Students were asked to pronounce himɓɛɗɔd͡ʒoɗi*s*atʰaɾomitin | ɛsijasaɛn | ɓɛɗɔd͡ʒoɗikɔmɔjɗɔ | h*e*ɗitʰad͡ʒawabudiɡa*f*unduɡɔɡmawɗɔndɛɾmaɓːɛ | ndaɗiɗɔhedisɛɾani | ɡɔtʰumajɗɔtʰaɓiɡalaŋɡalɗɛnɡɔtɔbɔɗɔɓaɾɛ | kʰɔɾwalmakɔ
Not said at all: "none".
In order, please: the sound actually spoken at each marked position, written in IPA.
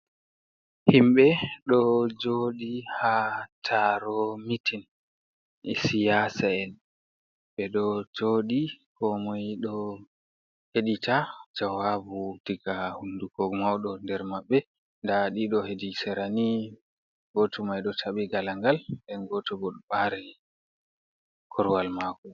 h, e, h

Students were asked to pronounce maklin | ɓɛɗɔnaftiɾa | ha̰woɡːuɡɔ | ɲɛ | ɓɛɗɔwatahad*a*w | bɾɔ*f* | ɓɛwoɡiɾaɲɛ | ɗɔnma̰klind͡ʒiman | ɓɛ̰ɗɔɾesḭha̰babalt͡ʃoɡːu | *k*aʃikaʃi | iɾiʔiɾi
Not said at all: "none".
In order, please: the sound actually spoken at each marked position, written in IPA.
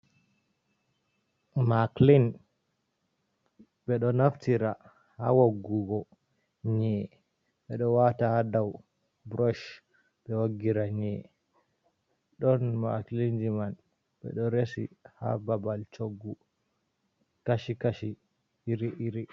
a, ʃ, k

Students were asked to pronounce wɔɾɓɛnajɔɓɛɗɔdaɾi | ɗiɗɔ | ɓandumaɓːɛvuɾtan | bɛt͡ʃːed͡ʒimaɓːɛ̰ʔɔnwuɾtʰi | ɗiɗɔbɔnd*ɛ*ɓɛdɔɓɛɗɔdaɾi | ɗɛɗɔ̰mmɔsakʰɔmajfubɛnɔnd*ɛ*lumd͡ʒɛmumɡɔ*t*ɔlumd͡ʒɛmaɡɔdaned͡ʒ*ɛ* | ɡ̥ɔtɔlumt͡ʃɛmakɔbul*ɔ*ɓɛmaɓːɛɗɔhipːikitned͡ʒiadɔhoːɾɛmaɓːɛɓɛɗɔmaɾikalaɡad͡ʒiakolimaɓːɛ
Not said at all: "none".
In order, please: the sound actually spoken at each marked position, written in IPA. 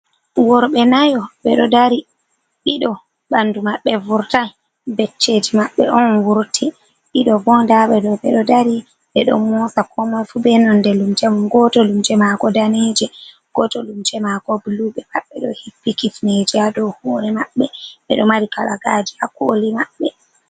a, ɛ, t, ɛ, u

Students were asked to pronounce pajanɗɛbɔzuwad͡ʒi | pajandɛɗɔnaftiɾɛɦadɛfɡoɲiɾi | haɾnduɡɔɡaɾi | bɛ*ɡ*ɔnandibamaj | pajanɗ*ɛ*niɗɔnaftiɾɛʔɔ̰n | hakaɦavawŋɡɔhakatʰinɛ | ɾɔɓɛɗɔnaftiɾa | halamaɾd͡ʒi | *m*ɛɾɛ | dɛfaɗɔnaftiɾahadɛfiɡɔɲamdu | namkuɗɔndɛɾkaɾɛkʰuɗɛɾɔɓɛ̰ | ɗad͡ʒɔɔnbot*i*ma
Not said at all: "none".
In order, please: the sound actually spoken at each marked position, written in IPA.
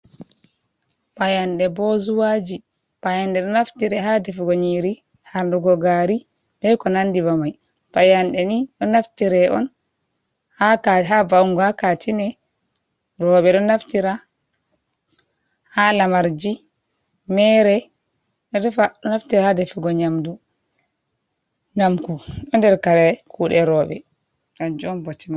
k, ɛ, m, i

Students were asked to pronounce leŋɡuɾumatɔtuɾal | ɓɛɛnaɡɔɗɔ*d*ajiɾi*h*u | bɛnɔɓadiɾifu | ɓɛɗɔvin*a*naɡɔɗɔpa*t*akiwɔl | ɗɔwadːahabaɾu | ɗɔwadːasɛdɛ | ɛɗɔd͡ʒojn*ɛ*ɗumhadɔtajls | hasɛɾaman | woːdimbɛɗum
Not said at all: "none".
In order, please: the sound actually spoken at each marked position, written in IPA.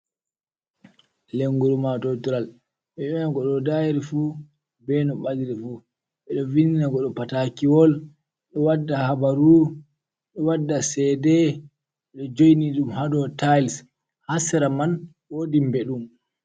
d, f, i, t, i

